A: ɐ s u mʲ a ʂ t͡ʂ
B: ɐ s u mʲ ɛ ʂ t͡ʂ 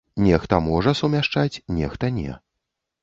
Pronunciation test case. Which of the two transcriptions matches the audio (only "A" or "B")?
A